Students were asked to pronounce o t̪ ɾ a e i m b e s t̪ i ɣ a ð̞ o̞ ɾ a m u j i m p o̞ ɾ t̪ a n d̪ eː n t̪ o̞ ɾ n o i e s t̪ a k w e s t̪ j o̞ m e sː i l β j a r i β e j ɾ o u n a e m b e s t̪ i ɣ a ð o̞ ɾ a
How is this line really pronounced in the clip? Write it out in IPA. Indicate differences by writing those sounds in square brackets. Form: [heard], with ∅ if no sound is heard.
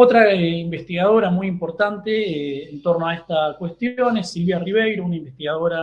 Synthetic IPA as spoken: o t̪ ɾ a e i m b e s t̪ i ɣ a ð̞ o̞ ɾ a m u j i m p o̞ ɾ t̪ a n [t̪] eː n t̪ o̞ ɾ n o [a] e s t̪ a k w e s t̪ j o̞ [n] e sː i l β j a r i β e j ɾ o u n a [i] m b e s t̪ i ɣ a ð o̞ ɾ a